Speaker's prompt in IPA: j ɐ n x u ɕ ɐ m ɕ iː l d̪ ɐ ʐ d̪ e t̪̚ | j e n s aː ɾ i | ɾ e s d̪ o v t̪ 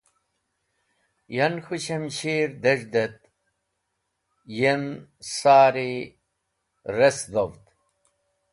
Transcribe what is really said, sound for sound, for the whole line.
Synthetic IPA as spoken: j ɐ n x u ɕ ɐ m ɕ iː ɾ d̪ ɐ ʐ d̪ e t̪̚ | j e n s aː ɾ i | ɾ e s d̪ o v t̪